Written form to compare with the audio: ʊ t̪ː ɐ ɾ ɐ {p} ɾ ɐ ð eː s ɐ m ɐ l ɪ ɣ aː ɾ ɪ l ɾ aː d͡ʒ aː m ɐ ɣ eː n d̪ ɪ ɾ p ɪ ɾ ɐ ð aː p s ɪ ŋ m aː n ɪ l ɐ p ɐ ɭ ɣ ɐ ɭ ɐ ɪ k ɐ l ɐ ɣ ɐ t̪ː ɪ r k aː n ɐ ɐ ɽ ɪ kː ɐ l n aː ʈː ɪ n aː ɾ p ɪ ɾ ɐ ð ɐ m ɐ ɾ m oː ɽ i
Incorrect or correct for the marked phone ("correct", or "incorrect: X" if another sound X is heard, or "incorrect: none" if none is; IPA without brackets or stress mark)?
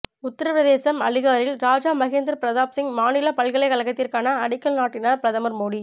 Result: correct